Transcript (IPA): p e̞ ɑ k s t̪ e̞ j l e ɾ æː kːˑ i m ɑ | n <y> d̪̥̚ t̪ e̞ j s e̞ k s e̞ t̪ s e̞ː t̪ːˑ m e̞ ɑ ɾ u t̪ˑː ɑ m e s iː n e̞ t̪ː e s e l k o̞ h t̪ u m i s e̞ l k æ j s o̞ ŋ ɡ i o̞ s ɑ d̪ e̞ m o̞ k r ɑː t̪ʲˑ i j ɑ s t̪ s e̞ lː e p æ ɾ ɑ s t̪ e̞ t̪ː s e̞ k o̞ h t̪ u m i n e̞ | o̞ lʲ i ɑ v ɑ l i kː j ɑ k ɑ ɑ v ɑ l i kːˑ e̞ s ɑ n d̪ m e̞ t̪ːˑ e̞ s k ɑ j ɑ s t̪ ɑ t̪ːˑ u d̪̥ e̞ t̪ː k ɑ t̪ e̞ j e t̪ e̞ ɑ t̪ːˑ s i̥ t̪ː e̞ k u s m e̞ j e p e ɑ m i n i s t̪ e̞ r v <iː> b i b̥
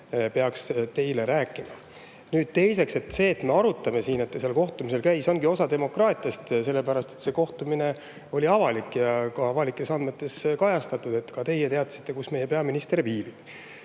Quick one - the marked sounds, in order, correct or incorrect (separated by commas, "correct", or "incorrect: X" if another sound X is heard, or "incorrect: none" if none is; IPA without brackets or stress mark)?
incorrect: yː, correct